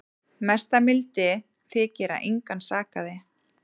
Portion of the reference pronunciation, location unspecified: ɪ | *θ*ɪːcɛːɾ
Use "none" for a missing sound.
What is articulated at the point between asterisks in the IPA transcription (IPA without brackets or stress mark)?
θ